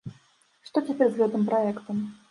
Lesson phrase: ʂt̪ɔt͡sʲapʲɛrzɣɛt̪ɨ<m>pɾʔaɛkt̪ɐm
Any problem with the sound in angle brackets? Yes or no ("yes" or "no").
no